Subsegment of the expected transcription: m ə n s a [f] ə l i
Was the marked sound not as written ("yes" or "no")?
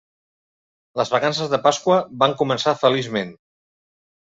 no